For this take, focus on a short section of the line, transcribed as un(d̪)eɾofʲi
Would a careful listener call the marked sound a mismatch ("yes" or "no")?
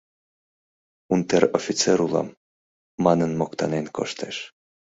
yes